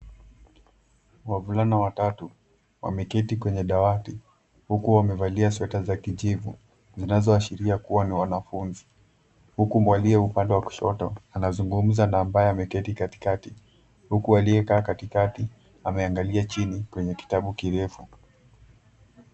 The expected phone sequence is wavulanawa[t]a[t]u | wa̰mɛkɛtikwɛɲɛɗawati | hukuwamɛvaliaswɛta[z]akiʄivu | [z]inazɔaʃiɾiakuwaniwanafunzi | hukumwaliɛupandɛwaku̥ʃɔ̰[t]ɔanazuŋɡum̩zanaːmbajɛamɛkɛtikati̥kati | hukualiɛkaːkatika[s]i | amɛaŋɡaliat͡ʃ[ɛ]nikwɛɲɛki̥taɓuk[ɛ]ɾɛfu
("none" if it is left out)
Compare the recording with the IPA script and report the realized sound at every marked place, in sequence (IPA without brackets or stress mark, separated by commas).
t, t, z, z, t, t, i, i